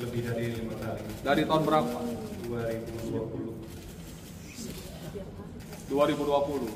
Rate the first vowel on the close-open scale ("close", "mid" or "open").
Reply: mid